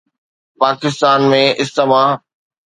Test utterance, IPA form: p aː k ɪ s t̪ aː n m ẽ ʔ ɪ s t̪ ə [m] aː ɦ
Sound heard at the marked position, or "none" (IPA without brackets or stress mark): m